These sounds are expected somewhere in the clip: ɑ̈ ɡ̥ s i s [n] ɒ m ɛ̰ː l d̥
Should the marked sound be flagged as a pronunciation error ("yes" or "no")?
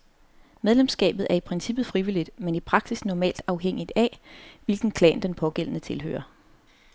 no